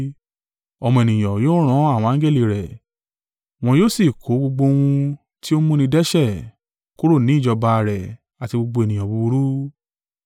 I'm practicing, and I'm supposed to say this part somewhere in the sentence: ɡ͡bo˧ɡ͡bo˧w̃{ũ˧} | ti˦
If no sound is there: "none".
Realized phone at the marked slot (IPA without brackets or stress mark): ũ˧